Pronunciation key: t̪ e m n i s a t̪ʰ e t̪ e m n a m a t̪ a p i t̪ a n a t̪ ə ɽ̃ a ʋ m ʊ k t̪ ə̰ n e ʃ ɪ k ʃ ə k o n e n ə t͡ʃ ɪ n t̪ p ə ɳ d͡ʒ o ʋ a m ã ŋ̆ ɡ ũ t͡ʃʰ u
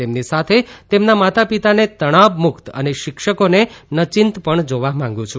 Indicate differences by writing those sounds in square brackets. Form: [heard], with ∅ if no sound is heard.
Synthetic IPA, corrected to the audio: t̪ e m n i s a t̪ʰ e t̪ e m n a m a t̪ a p i t̪ a n [e] t̪ ə ɽ̃ a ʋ m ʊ k t̪ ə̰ n e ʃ ɪ k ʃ ə k o n e n ə t͡ʃ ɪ n t̪ p ə ɳ d͡ʒ o ʋ a m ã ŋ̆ ɡ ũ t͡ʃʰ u